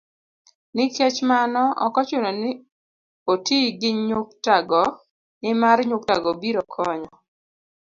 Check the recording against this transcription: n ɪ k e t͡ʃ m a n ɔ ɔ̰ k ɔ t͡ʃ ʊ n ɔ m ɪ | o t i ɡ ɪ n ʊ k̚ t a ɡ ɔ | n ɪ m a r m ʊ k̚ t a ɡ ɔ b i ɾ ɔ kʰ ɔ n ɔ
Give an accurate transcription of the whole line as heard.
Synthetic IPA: n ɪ k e t͡ʃ m a n ɔ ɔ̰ k ɔ t͡ʃ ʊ n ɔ n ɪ | o t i ɡ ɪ ɲ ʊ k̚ t a ɡ ɔ | n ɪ m a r ɲ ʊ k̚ t a ɡ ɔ b i ɾ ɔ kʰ ɔ ɲ ɔ